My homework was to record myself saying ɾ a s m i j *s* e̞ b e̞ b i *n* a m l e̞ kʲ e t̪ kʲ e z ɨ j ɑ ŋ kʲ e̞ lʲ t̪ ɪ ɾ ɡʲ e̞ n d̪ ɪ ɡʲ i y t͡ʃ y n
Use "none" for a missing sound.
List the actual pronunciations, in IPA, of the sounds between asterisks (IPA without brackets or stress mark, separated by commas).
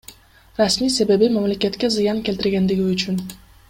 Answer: s, m